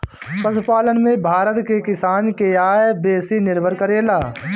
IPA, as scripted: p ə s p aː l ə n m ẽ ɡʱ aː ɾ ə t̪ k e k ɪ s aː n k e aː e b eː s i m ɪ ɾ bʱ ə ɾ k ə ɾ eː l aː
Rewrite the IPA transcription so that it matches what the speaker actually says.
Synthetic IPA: p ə s p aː l ə n m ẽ bʱ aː ɾ ə t̪ k e k ɪ s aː n k e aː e b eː s i n ɪ ɾ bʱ ə ɾ k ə ɾ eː l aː